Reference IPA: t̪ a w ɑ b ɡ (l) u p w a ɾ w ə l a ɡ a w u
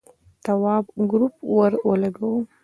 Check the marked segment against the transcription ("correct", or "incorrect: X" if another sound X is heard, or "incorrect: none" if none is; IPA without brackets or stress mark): incorrect: ɾ